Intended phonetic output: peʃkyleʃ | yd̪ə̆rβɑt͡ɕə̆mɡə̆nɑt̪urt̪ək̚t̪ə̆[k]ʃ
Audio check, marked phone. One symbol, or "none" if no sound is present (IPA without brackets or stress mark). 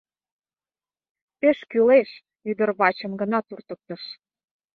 none